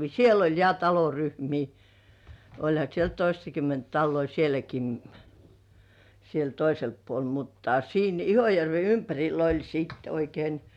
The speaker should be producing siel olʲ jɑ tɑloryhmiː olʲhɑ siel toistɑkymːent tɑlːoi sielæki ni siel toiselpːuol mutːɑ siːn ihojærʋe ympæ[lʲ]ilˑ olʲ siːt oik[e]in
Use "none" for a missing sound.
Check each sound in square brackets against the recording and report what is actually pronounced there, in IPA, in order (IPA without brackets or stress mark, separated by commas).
rʲ, e